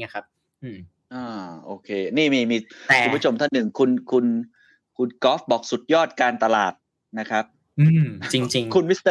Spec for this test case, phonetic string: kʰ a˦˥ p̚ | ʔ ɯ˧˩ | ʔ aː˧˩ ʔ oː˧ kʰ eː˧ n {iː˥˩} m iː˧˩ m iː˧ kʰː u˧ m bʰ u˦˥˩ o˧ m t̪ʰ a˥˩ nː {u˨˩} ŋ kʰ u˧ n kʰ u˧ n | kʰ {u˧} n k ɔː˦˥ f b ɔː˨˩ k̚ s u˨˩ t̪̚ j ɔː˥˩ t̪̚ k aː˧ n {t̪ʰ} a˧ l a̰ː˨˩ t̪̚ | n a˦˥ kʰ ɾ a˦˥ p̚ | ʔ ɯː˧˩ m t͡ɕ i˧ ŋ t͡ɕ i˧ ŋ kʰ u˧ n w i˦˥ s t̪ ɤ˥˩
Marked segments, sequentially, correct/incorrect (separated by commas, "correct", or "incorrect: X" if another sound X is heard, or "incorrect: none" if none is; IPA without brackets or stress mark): correct, incorrect: ɯ˨˩, correct, incorrect: t̪